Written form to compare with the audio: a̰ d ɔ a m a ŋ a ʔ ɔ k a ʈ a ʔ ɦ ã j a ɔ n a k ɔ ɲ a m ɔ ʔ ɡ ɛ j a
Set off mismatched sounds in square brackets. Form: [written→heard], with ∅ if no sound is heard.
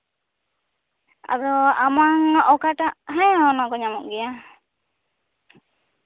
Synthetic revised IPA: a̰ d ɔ a m a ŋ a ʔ ɔ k a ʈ a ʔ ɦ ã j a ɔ n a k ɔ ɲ a m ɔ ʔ ɡ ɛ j a